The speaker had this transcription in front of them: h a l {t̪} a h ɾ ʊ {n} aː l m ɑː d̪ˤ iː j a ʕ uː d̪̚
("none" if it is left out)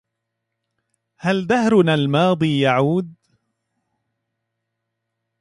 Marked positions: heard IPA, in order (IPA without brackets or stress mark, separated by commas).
d̪, n